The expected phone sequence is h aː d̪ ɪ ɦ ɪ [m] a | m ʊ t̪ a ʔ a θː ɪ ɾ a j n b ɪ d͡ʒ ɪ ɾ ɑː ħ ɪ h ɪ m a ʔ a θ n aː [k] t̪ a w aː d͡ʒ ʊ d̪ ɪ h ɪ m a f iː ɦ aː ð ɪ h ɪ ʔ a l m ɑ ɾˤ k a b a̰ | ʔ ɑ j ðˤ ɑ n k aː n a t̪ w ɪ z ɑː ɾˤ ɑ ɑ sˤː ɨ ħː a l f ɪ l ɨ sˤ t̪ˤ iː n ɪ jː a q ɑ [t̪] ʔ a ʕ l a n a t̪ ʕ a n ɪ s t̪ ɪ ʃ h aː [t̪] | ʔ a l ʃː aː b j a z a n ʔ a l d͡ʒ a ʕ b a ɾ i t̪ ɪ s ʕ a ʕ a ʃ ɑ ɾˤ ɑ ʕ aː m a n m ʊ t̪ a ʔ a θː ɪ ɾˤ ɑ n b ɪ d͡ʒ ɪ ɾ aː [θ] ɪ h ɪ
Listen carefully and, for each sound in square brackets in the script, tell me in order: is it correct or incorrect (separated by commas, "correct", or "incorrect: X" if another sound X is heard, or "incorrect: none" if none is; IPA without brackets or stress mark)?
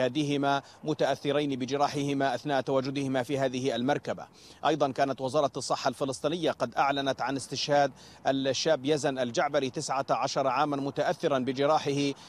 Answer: correct, incorrect: ʔ, incorrect: d̪, incorrect: d̪, incorrect: ħ